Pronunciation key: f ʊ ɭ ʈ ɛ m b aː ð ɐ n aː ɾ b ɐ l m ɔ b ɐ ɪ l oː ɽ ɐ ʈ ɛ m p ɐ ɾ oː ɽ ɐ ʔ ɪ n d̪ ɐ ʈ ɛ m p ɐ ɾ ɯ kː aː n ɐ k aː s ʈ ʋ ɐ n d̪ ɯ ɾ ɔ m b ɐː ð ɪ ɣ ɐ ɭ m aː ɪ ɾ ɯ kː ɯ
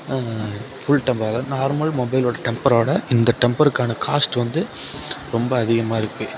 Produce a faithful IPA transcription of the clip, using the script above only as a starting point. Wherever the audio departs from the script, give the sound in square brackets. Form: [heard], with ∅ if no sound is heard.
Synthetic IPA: f ʊ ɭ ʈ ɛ m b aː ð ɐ n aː ɾ [m] ɐ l m ɔ b ɐ ɪ l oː ɽ ɐ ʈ ɛ m p ɐ ɾ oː ɽ ɐ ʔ ɪ n d̪ ɐ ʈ ɛ m p ɐ ɾ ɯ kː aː n ɐ k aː s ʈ ʋ ɐ n d̪ ɯ ɾ ɔ m b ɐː ð ɪ ɣ ɐ [∅] m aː ɪ ɾ ɯ kː ɯ